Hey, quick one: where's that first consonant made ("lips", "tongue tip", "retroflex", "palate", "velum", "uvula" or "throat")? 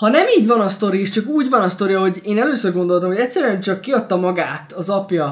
throat